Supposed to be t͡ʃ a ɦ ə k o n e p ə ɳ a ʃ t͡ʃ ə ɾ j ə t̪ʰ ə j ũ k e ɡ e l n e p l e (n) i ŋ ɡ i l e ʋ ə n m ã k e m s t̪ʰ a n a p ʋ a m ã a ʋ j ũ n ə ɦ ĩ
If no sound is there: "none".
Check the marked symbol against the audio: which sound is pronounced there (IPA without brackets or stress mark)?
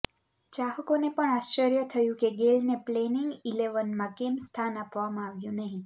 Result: n